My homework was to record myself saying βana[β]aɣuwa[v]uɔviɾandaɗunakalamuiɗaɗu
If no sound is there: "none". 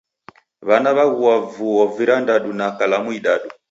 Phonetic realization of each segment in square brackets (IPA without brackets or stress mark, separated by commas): β, v